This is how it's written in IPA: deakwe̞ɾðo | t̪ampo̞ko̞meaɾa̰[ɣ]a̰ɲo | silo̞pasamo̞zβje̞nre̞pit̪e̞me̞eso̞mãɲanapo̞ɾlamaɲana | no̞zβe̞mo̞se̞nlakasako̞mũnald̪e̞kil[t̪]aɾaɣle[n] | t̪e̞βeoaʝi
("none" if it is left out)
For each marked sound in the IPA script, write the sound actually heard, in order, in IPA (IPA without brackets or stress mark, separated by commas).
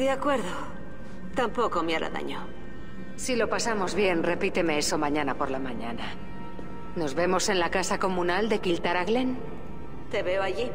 ð, t̪, n